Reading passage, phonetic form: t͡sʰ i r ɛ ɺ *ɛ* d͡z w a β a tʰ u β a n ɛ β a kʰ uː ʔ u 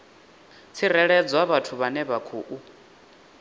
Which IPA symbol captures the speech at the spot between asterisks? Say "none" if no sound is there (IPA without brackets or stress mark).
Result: ɛ